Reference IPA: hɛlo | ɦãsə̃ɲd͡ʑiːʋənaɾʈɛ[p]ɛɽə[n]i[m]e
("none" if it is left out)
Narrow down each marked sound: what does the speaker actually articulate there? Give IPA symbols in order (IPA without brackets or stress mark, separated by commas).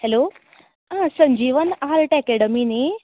k, m, n